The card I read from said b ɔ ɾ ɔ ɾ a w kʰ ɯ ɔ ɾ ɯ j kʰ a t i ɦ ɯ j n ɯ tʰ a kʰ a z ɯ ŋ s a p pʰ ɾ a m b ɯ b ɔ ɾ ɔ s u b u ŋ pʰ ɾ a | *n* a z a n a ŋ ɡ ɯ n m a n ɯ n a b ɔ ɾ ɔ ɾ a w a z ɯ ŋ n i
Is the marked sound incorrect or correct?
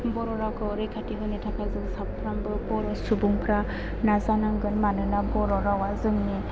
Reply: correct